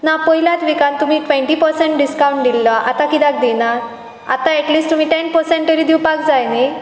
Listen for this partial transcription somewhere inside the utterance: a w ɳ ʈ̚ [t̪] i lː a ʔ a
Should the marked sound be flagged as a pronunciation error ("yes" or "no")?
yes